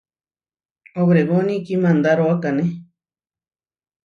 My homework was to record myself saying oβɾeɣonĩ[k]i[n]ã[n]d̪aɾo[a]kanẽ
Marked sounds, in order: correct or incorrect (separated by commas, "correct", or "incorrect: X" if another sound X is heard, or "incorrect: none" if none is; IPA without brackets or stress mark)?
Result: correct, incorrect: m, correct, correct